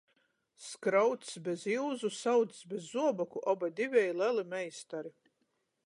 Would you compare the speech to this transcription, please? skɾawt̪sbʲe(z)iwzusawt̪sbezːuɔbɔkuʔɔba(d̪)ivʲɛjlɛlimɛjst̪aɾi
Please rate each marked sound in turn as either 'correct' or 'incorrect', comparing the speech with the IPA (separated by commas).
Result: correct, correct